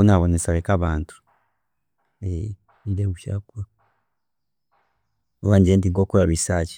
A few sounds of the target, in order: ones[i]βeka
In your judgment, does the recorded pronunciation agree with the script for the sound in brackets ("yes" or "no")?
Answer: no